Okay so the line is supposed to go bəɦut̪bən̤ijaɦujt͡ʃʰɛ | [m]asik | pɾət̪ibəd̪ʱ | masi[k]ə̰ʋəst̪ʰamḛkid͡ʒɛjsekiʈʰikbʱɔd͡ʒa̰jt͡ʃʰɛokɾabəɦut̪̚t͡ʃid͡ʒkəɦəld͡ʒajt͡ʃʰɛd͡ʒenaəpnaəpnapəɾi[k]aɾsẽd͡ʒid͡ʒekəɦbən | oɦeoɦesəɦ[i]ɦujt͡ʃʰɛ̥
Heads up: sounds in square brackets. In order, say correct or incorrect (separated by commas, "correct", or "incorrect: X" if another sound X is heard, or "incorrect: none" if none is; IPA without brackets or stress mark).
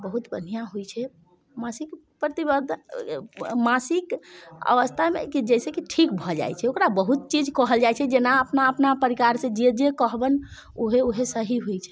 correct, correct, correct, correct